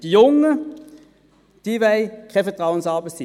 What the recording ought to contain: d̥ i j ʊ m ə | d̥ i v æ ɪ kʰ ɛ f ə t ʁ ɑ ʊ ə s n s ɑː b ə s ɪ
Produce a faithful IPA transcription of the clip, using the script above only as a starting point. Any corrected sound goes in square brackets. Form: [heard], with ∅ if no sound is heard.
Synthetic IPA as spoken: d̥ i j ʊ [ŋ] ə | d̥ i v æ ɪ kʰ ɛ f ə t ʁ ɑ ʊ ə [∅] n s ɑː b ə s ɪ